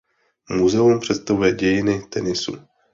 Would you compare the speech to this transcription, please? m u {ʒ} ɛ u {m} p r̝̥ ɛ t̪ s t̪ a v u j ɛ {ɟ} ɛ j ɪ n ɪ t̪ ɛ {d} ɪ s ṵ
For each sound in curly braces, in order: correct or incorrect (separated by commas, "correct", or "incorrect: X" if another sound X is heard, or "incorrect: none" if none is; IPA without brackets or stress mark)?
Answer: incorrect: z, correct, correct, incorrect: n